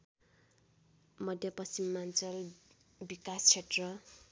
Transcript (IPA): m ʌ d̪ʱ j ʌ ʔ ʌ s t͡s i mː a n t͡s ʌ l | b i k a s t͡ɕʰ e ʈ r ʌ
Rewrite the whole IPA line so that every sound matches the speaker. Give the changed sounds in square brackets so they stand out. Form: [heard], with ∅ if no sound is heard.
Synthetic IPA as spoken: m ʌ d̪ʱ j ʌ [p] ʌ s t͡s i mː a n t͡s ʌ l | b i k a s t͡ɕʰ e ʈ r ʌ

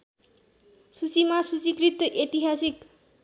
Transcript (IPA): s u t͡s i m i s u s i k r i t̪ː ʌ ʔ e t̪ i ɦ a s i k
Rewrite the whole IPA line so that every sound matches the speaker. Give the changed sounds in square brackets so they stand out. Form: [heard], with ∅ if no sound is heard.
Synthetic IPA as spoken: s u t͡s i m [a] s u [t͡s] i k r i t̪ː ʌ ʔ e t̪ i ɦ a s i k

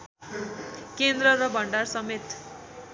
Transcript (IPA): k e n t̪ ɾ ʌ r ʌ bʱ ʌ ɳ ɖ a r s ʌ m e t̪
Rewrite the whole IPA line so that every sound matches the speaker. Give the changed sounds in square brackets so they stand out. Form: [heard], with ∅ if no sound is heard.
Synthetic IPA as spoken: k e n [d̪] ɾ ʌ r ʌ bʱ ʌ ɳ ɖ a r s ʌ m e t̪

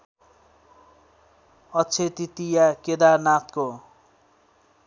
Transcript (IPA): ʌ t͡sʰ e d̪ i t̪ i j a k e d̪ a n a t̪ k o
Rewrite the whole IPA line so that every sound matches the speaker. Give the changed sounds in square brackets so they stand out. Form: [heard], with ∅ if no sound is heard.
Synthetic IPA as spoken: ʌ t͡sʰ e [t̪] i t̪ i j a k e d̪ a n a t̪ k o

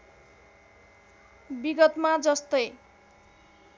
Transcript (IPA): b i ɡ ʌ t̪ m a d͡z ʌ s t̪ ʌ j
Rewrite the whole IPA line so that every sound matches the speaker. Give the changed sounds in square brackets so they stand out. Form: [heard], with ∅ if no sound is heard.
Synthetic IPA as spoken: b i ɡ ʌ t̪ m a d͡z ʌ s t̪ ʌ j

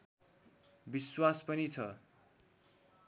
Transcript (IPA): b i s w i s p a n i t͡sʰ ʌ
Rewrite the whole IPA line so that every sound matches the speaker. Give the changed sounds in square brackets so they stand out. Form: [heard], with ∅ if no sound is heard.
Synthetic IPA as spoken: b i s w [a] s p [ʌ] n i t͡sʰ ʌ

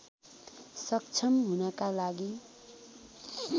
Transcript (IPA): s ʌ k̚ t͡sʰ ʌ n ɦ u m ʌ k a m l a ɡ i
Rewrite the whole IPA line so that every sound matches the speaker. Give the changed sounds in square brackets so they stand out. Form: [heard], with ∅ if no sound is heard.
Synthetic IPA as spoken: s ʌ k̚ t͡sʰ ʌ [m] ɦ u [n] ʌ k a [∅] l a ɡ i

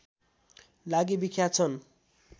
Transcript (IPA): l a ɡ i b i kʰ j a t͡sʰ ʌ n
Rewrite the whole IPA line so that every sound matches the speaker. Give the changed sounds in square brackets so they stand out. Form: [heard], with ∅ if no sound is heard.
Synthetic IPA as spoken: l a ɡ i b i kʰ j a t͡sʰ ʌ n

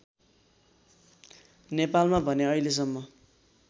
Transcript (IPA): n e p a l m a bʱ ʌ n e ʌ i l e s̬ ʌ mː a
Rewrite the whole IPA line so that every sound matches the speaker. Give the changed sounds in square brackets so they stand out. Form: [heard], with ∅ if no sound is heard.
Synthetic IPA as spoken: n e p a l m a bʱ ʌ n e ʌ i l e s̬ ʌ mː [ʌ]

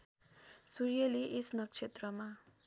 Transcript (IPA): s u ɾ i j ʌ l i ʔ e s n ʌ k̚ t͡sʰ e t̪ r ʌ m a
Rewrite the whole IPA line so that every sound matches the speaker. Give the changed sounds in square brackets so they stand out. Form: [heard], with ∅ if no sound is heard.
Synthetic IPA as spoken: s u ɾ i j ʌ l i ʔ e s n ʌ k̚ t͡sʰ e t̪ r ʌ m a

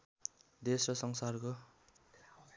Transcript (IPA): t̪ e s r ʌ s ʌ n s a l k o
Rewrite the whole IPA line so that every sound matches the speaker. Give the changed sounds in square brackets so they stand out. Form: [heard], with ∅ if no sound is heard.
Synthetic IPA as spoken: [d̪] e s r ʌ s ʌ [ŋ] s a [r] k o

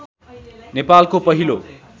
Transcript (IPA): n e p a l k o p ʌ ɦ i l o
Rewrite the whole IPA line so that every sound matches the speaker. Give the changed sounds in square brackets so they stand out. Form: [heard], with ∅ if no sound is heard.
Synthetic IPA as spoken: n e p a l k o p ʌ ɦ i l o

